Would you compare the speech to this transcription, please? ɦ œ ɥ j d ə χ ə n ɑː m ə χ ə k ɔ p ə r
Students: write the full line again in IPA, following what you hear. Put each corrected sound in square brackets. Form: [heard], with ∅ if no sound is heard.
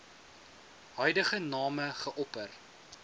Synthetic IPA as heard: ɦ œ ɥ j d ə χ ə n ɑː m ə χ ə [ʔ] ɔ p ə r